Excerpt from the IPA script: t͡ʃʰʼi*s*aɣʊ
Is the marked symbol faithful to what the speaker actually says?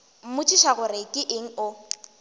no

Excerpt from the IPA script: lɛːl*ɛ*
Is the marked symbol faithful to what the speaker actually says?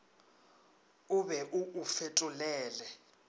yes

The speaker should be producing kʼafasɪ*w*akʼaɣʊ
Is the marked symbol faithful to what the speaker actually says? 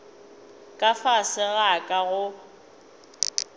no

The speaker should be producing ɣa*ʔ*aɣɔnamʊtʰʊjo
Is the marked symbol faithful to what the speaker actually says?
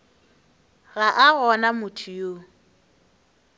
yes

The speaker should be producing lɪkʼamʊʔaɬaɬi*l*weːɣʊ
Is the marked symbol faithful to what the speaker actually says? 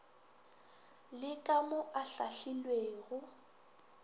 yes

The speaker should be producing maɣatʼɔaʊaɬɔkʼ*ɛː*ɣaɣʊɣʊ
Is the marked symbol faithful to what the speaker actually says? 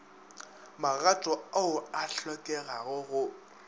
no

